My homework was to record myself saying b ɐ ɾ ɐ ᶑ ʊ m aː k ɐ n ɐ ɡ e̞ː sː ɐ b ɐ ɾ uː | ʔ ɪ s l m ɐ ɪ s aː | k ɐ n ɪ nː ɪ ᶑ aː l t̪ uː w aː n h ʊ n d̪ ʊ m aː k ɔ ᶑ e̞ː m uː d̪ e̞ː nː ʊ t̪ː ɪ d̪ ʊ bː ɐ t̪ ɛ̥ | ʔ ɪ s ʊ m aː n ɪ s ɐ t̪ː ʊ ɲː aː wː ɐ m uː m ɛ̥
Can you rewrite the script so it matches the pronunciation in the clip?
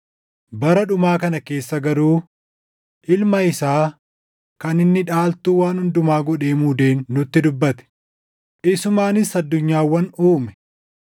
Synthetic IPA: b ɐ ɾ ɐ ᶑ ʊ m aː k ɐ n ɐ k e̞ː sː ɐ ɡ ɐ ɾ uː | ʔ ɪ l m ɐ ɪ s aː | k ɐ n ɪ nː ɪ ᶑ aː l t̪ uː w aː n h ʊ n d̪ ʊ m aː ɡ ɔ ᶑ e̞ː m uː d̪ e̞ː nː ʊ t̪ː ɪ d̪ ʊ bː ɐ t̪ ɛ̥ | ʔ ɪ s ʊ m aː n ɪ s ɐ d̪ː ʊ ɲː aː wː ɐ n uː m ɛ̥